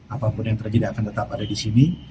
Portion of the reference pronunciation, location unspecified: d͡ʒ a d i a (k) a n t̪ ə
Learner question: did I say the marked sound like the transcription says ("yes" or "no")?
yes